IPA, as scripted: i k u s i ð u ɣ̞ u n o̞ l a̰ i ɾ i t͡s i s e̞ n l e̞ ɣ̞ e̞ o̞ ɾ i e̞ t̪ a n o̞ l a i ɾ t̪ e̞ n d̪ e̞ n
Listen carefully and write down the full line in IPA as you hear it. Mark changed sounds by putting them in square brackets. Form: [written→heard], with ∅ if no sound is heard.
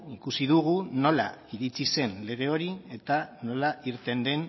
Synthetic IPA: i k u s i ð u ɣ̞ u n o̞ l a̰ i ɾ i t͡s i s e̞ n l e̞ ɣ̞ e̞ o̞ ɾ i e̞ t̪ a n o̞ l a i ɾ t̪ e̞ n d̪ e̞ n